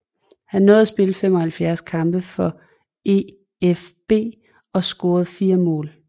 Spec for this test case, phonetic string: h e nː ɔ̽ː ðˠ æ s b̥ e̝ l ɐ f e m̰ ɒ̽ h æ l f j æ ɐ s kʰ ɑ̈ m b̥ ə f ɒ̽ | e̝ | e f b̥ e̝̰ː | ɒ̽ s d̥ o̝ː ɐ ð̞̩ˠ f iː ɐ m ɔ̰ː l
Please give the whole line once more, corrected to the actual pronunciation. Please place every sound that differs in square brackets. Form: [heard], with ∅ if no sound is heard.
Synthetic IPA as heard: h [æ] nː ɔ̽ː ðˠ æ s b̥ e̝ l [ə] f e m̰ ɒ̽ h æ l f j æ ɐ s kʰ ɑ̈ m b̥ ə f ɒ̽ | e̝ | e f b̥ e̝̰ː | ɒ̽ s [ɡ̥] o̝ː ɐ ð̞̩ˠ f iː ɐ m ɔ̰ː l